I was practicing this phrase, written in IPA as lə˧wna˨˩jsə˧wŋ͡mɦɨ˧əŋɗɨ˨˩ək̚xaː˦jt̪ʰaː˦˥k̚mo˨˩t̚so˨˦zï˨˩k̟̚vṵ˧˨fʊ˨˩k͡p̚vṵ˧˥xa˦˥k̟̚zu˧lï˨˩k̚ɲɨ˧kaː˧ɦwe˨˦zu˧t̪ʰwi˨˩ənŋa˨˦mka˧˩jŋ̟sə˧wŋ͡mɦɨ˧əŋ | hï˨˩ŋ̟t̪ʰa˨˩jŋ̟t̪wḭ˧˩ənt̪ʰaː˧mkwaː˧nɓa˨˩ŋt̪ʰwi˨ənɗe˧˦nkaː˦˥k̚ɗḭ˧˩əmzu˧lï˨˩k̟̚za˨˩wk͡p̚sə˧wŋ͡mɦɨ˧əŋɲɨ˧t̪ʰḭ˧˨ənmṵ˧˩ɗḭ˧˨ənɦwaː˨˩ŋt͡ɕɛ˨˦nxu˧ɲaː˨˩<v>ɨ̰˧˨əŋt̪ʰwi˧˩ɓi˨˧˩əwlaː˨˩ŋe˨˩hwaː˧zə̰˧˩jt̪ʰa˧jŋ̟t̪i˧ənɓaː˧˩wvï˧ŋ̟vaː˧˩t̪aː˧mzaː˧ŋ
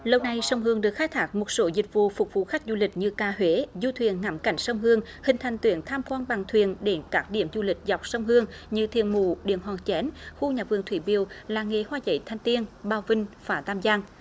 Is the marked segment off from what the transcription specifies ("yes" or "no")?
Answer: no